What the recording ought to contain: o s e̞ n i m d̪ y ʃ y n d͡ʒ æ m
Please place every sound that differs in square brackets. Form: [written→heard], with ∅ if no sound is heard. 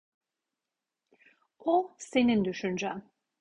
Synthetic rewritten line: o s e̞ n i [m→n] d̪ y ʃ y n d͡ʒ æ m